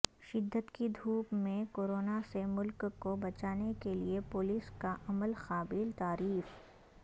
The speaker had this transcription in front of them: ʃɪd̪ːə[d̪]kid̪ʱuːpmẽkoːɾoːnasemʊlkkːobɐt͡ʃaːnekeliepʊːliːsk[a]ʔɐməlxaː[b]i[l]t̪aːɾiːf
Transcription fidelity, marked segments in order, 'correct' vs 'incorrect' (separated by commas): incorrect, correct, correct, correct